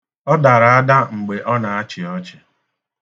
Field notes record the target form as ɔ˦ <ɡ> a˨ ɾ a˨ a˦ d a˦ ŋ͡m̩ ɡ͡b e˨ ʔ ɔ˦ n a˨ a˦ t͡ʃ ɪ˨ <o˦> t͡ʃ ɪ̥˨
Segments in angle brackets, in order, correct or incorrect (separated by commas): incorrect, incorrect